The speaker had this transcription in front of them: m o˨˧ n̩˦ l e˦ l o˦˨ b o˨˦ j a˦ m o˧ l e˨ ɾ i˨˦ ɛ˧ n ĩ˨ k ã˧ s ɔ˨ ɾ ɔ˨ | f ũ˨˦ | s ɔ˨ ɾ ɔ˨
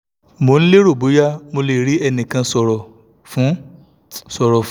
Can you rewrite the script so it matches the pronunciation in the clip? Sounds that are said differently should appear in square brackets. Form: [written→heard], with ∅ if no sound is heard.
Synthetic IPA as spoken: m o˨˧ n̩˦ l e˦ [l→ɾ] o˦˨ b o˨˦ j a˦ m o˧ l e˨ ɾ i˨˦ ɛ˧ n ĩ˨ k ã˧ s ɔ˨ ɾ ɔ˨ | f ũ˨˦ | s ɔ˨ ɾ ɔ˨